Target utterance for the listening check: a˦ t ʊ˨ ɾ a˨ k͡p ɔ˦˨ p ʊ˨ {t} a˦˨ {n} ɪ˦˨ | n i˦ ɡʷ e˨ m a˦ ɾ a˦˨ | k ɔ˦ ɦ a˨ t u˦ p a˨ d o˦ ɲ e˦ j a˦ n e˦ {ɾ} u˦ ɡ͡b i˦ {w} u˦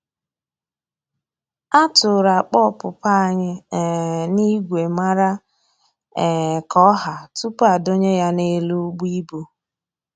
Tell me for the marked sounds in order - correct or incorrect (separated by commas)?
incorrect, incorrect, incorrect, incorrect